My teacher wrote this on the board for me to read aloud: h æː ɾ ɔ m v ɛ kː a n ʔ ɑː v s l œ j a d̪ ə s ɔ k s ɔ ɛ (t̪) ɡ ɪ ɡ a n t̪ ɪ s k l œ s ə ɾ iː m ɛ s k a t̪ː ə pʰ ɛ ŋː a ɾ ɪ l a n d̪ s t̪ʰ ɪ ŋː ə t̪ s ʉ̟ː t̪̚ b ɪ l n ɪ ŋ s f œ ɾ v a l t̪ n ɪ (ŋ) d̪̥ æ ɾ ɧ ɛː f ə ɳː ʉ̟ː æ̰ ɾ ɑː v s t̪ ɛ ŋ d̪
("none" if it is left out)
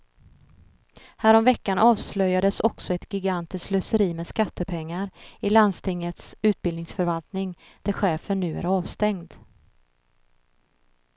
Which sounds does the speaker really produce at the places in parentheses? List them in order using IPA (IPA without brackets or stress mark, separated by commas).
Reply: t̪, ŋ